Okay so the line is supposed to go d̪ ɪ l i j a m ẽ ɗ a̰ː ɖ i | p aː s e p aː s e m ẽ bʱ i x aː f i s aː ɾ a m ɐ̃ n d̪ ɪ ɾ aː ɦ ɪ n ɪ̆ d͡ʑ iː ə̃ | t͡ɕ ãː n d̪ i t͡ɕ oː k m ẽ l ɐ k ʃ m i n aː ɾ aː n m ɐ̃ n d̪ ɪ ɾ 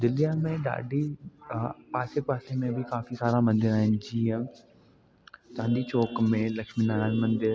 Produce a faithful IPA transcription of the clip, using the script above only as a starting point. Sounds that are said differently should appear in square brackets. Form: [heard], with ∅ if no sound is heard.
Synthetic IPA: d̪ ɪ l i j a m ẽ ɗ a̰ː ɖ i | p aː s e p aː s e m ẽ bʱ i [k] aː f i s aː ɾ a m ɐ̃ n d̪ ɪ ɾ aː ɦ ɪ n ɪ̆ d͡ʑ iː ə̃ | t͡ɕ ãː n d̪ i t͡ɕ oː k m ẽ l ɐ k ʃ m i n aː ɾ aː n m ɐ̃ n d̪ ɪ ɾ